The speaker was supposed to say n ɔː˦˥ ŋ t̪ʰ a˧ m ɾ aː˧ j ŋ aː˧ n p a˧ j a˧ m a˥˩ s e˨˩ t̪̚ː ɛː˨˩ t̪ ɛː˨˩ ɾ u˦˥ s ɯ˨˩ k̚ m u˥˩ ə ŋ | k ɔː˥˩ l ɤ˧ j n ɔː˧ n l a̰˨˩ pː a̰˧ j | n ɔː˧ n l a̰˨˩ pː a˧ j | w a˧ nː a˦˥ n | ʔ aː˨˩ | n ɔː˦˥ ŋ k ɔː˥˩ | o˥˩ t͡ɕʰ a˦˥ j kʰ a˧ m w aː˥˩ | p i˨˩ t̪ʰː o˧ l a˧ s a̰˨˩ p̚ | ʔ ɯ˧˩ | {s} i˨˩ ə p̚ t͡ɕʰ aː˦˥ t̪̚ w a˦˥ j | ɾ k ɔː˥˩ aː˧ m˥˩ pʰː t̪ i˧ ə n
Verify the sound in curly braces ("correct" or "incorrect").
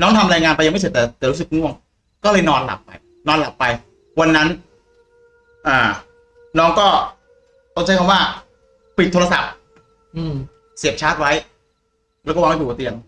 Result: correct